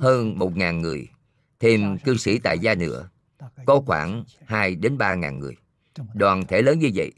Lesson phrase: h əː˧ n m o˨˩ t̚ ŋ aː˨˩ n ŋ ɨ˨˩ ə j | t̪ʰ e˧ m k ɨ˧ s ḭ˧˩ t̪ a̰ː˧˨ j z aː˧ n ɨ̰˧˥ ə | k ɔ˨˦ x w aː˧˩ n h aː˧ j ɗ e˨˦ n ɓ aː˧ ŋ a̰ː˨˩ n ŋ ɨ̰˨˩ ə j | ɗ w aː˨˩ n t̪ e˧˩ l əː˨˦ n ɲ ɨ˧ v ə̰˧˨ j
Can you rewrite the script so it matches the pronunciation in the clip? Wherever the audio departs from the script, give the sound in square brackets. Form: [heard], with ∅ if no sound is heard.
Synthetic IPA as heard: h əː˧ n m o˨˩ t̚ ŋ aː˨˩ n ŋ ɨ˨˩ ə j | t̪ʰ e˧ m k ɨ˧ s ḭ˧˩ t̪ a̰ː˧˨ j z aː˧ n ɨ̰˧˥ ə | k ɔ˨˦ x w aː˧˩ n h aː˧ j ɗ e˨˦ n ɓ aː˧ ŋ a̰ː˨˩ n ŋ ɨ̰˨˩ ə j | ɗ w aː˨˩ n [t̪ʰ] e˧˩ l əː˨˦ n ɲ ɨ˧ v ə̰˧˨ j